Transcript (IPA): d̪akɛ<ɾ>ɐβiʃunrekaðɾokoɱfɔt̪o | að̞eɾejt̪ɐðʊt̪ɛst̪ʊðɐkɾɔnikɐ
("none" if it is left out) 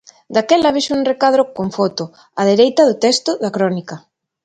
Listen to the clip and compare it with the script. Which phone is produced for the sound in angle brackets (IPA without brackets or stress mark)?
l